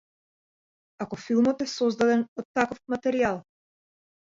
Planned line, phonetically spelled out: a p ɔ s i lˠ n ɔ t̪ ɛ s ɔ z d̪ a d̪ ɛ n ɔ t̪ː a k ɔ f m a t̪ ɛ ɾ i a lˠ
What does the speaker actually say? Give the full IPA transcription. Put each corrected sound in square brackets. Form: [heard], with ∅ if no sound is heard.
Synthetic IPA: a [k] ɔ [f] i lˠ [m] ɔ t̪ ɛ s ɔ z d̪ a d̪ ɛ n ɔ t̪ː a k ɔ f m a t̪ ɛ ɾ i a lˠ